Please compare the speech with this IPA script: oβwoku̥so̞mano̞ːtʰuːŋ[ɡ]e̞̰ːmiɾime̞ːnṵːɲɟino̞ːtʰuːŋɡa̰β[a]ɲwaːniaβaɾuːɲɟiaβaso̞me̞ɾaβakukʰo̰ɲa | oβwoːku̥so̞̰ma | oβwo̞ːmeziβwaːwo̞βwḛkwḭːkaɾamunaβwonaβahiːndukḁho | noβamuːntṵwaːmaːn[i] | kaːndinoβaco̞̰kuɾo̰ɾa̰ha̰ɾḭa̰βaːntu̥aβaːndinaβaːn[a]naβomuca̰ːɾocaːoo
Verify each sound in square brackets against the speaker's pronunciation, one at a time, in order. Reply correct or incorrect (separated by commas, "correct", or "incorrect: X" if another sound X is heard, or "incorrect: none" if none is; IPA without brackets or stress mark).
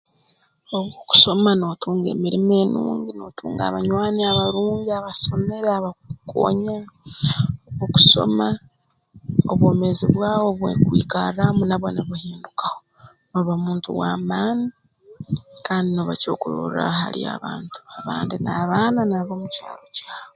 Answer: correct, correct, correct, correct